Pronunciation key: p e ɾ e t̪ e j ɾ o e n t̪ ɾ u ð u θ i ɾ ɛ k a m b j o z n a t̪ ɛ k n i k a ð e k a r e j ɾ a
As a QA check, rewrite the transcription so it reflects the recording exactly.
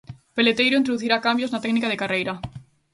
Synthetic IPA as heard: p e l e t̪ e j ɾ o i n t̪ ɾ o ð u θ i ɾ a k a m b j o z n a t̪ ɛ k n i k a ð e k a r e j ɾ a